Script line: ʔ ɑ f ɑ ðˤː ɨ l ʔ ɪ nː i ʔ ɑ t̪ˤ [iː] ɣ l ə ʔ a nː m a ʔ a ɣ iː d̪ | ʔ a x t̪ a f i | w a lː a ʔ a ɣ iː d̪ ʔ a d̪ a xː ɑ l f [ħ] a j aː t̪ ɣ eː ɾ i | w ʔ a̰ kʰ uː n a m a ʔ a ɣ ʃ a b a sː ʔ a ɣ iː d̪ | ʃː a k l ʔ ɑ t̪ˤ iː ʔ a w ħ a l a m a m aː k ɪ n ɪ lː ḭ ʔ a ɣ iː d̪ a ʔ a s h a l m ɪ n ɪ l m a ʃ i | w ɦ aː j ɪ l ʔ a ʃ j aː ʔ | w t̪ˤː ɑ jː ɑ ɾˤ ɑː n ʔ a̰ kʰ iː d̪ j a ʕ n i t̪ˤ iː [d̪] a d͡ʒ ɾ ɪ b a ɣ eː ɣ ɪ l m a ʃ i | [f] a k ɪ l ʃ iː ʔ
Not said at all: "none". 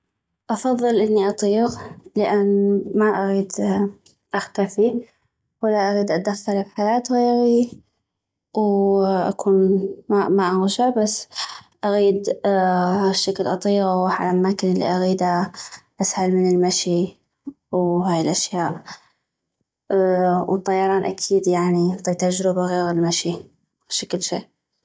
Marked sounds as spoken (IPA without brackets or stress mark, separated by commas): iː, ħ, t̪, ʃ